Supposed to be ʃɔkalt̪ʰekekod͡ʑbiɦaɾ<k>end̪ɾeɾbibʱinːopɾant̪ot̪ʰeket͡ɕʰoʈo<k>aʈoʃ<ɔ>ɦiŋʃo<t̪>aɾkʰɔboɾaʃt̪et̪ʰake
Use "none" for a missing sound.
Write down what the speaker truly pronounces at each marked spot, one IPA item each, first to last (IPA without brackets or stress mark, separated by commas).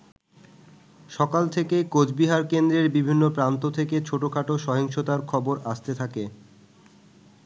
k, kʰ, ɔ, t̪